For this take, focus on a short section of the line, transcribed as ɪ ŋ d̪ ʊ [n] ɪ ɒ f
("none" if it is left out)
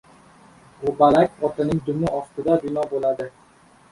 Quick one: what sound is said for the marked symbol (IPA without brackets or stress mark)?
m